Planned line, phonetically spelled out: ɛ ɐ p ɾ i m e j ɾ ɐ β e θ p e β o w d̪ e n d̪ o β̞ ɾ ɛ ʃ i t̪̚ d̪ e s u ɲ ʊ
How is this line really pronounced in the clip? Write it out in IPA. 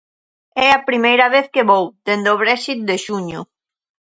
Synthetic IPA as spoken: ɛ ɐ p ɾ i m e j ɾ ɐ β e θ k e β o w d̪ e n d̪ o β̞ ɾ ɛ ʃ i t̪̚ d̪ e ʃ u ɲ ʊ

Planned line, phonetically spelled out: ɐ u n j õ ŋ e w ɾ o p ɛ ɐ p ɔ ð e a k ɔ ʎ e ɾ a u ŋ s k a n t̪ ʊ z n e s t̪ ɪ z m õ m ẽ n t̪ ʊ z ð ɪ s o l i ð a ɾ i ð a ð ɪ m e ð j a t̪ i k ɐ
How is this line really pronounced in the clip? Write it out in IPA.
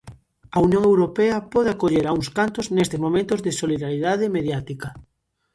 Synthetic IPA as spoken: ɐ u n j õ ŋ e w ɾ o p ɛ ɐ p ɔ ð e a k o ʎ e ɾ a u ŋ s k a n t̪ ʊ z n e s t̪ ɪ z m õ m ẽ n t̪ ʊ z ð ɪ s o l i ð a ɾ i ð a ð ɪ m e ð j a t̪ i k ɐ

